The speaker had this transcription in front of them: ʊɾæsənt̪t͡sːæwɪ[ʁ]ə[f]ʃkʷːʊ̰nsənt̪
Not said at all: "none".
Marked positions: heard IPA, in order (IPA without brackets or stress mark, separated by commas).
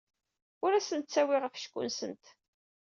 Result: ʁ, f